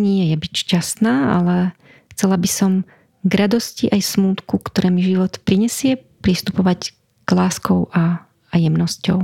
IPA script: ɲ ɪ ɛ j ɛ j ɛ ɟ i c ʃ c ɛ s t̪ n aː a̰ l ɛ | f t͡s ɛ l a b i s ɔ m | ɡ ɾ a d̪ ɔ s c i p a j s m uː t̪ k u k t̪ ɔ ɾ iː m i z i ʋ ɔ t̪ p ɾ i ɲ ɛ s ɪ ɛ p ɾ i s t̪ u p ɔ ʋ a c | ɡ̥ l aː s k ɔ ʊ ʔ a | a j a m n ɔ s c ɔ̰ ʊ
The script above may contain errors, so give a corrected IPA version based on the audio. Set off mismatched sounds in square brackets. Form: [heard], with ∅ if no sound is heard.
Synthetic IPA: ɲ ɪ ɛ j ɛ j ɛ [b] i c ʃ c [a] s t̪ n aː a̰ l ɛ | [x] t͡s ɛ l a b i s ɔ m | ɡ ɾ a d̪ ɔ s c i [ʔ] a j s m uː t̪ k u k t̪ ɔ ɾ [ɛː] m i [ʒ] i ʋ ɔ t̪ p ɾ i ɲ ɛ s ɪ ɛ p ɾ i s t̪ u p ɔ ʋ a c | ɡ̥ l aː s k ɔ ʊ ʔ a | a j [ɛ] m n ɔ s c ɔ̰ ʊ